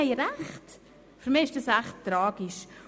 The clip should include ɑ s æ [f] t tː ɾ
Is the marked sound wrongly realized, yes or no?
yes